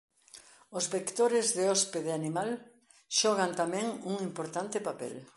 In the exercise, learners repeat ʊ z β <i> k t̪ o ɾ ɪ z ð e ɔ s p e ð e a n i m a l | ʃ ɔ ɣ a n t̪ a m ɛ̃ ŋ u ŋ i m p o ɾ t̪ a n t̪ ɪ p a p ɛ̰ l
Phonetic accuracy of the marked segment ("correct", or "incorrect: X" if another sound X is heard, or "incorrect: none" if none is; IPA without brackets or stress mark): incorrect: e